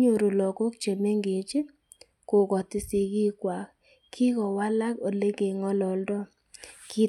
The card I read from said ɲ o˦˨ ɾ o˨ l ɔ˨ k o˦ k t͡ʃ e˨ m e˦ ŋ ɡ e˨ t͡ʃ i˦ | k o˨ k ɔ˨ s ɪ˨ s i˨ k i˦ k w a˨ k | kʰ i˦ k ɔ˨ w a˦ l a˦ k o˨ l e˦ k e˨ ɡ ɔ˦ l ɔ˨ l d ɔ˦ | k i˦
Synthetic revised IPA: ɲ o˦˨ ɾ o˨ l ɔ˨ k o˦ k t͡ʃ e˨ m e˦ ŋ ɡ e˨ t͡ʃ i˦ | k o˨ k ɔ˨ t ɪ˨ s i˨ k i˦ k w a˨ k | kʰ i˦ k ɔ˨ w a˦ l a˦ k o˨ l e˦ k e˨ ŋ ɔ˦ l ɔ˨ l d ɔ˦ | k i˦